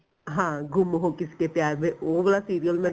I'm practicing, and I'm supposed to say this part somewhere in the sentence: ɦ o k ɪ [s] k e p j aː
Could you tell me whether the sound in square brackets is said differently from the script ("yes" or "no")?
no